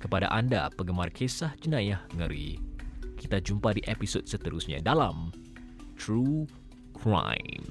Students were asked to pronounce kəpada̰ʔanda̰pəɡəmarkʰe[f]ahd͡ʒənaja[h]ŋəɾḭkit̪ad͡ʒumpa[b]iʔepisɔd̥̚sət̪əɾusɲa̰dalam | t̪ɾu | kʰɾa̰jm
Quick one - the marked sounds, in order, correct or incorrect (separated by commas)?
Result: incorrect, correct, incorrect